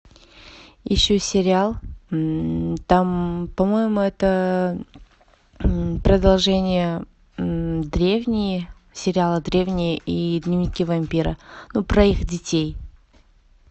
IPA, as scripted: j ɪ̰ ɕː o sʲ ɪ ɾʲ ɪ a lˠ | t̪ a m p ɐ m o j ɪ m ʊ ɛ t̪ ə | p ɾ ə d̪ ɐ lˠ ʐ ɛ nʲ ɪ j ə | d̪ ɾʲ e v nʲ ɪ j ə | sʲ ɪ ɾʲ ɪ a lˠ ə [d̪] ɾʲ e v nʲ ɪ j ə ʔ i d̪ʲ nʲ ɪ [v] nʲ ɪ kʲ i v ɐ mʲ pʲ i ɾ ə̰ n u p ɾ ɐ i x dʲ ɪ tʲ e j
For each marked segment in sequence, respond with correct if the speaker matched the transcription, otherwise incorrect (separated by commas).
correct, correct